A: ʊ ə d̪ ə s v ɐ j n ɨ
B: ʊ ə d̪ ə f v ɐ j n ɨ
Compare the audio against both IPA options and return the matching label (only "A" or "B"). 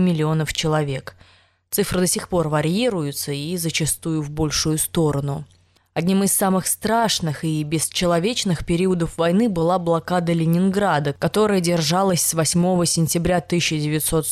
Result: B